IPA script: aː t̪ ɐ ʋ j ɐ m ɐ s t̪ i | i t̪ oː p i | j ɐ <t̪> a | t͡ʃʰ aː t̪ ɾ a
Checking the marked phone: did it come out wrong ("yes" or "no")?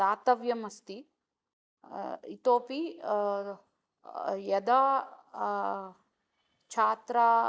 yes